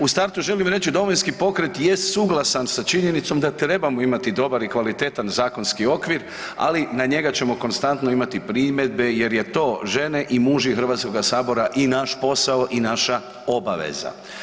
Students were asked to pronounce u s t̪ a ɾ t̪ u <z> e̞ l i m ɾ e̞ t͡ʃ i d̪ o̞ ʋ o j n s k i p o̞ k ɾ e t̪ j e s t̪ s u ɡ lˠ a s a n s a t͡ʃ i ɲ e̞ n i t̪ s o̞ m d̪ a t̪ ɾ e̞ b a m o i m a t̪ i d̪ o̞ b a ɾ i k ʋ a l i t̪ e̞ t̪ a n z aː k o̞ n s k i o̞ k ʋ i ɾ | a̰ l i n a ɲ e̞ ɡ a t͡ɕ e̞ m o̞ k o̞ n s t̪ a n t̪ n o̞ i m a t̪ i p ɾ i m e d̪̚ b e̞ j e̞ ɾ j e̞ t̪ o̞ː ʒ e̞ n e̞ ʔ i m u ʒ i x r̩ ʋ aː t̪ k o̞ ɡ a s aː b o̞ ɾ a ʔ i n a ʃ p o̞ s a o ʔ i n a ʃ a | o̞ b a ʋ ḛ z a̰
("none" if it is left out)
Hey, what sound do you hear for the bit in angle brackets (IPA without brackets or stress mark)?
ʒ